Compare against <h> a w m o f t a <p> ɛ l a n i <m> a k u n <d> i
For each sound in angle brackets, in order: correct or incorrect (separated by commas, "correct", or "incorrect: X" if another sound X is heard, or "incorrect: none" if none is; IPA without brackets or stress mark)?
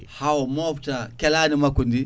correct, incorrect: k, correct, correct